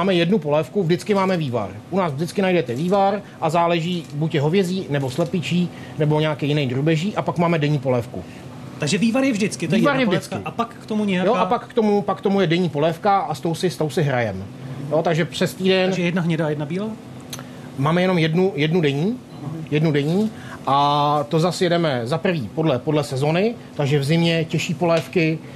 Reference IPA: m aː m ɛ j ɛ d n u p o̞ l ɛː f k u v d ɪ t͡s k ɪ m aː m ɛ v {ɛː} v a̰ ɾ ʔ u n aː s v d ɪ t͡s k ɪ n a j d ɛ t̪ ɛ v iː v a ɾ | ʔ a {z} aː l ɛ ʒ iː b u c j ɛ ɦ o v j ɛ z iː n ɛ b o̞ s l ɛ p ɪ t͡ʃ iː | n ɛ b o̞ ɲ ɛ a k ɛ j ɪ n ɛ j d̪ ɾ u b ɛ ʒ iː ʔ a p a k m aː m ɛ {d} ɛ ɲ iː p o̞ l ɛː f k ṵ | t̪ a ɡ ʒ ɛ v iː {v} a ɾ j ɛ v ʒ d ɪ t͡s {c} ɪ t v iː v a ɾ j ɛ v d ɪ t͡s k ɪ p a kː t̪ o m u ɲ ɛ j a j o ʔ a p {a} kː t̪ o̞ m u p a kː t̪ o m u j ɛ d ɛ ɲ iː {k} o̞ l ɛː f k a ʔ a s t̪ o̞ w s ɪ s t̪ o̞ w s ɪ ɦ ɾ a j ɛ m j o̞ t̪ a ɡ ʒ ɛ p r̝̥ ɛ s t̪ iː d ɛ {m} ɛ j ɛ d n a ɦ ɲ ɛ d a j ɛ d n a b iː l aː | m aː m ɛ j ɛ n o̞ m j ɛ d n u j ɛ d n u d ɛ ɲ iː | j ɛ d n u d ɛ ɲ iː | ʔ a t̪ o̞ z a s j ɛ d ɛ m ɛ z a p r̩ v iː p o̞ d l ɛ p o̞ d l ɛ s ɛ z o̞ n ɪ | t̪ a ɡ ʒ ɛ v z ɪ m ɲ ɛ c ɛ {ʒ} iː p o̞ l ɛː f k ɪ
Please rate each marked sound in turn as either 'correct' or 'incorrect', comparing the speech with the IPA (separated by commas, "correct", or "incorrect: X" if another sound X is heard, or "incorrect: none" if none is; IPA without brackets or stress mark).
incorrect: iː, correct, correct, correct, incorrect: k, correct, incorrect: p, incorrect: n, incorrect: ʃ